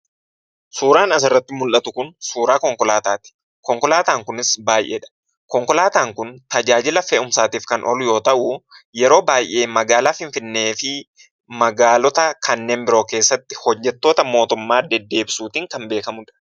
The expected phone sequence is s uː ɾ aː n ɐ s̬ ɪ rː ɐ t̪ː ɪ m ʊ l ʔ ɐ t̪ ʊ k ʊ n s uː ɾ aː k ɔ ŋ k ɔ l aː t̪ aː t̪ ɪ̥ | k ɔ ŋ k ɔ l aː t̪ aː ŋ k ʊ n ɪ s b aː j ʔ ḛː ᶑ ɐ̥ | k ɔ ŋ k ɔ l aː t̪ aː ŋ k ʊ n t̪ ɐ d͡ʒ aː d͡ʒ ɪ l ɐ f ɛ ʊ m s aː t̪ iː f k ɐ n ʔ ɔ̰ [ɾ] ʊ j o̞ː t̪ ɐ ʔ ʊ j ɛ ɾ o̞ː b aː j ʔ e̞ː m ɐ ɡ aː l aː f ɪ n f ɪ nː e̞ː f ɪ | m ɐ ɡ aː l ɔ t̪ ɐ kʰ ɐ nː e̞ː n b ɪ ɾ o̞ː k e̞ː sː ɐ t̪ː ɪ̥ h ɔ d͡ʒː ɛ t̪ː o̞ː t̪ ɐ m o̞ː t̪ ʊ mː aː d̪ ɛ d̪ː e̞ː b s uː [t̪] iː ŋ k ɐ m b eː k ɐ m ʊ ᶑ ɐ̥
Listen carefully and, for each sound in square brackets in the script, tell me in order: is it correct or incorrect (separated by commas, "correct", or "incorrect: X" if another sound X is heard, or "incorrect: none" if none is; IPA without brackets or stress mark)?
incorrect: l, correct